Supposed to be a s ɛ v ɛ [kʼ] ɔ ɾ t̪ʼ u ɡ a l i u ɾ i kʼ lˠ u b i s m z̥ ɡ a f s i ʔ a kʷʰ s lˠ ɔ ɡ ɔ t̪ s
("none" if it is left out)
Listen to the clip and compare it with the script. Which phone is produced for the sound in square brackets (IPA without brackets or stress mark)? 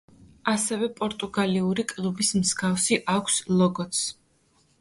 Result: pʼ